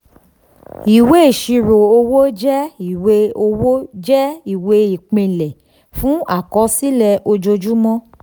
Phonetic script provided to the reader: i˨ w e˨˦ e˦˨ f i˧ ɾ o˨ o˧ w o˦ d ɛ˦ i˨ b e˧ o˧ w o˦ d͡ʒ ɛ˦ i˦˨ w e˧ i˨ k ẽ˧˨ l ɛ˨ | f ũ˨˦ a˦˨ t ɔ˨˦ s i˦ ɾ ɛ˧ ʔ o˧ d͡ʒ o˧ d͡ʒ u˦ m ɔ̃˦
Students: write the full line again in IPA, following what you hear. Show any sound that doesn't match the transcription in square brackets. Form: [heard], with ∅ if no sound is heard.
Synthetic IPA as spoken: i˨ w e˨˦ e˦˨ [ʃ] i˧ ɾ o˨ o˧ w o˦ [d͡ʒ] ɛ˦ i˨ [w] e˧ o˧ w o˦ d͡ʒ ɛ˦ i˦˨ w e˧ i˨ [k͡p] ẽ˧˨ l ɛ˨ | f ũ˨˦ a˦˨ [k] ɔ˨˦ s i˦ [l] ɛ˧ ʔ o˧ d͡ʒ o˧ d͡ʒ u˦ m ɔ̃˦